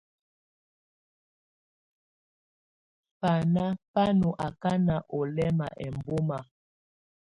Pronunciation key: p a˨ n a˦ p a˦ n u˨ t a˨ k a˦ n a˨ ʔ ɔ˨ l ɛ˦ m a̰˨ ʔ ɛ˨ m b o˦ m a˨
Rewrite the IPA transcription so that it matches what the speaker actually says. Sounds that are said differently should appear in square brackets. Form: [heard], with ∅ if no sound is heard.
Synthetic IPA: p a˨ n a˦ p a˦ n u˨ [ʔ] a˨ k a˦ n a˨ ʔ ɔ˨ l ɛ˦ m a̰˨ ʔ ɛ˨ m b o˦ m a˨